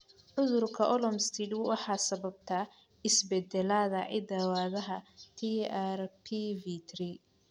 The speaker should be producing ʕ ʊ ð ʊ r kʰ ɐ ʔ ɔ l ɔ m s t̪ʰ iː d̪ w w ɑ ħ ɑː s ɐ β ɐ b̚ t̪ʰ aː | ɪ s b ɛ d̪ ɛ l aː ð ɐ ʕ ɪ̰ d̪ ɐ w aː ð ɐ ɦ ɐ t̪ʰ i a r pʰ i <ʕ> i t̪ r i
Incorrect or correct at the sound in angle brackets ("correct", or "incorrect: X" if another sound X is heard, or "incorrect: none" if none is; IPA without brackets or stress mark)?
incorrect: v